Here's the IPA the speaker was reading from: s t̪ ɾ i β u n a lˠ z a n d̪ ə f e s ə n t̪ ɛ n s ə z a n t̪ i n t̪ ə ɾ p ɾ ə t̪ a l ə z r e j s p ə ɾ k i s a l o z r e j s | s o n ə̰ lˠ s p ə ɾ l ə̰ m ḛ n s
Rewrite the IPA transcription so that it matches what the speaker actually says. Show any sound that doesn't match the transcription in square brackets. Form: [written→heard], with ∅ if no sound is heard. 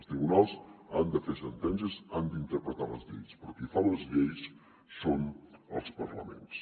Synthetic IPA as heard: s t̪ ɾ i β u n a lˠ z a n d̪ ə f e s ə n t̪ ɛ n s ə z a n [t̪→d̪] i n t̪ ə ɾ p ɾ ə t̪ a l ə z [r→ʎ] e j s p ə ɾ k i [s→f] a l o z [r→ʎ] e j s | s o n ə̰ lˠ s p ə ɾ l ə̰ m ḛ n s